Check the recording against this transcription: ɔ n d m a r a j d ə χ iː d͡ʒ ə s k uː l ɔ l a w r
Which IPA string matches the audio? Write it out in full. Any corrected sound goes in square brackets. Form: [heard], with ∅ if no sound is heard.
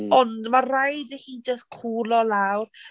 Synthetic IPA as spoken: ɔ n d m a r a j d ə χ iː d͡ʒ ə s [kʰ] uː l ɔ l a w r